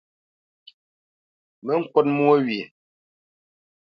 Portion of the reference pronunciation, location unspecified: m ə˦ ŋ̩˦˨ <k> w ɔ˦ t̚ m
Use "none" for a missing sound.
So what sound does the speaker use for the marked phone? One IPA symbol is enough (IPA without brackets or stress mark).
k